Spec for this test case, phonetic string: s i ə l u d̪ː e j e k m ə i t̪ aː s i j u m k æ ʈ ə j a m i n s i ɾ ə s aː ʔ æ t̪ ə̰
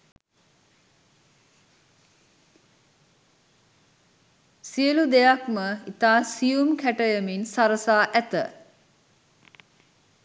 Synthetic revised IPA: s i ə l u d̪ e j a k m ə i t̪ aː s i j u m k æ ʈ ə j ə m i n s a ɾ ə s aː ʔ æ t̪ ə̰

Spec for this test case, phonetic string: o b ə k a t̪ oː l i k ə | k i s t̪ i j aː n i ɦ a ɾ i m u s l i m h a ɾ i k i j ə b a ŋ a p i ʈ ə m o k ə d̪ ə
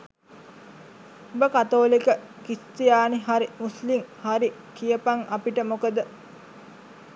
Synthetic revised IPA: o b ə k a t̪ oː l i k ə | k i s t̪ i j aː n i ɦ a ɾ i m u s l i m h a ɾ i k i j ə p a ŋ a p i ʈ ə m o k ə d̪ ə

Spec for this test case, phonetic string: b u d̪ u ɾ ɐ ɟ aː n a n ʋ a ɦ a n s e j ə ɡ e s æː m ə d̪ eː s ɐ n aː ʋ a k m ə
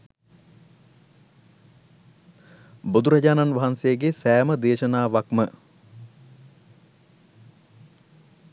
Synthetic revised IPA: b u d̪ u ɾ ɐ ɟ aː n a n ʋ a ɦ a n s e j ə ɡ e s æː m ə d̪ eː ʃ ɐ n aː ʋ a k m ə

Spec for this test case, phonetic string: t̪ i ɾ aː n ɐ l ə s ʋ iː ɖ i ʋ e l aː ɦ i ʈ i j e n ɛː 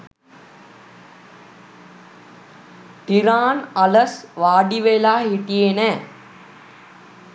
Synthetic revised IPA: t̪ i ɾ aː n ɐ l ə s ʋ aː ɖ i ʋ e l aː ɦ i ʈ i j e n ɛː

